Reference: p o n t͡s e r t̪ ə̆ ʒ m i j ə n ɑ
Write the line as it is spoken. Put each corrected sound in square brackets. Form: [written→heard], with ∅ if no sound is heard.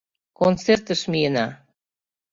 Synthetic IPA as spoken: [p→k] o n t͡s e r t̪ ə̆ [ʒ→ʃ] m i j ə n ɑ